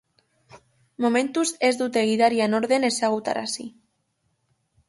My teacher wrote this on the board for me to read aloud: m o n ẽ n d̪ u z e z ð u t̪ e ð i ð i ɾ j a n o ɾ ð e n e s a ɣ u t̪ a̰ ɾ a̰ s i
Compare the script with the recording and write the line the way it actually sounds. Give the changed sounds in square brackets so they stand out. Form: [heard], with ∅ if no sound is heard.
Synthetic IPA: m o [m] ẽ n [t̪] u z e z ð u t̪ e [ɣ] i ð [a] ɾ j a n o ɾ ð e n e s a ɣ u t̪ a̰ ɾ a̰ s i